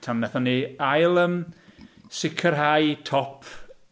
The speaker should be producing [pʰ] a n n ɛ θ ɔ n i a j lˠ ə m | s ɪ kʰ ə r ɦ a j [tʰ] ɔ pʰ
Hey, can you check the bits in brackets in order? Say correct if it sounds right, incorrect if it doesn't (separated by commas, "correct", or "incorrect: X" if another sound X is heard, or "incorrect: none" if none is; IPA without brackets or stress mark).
incorrect: tʰ, correct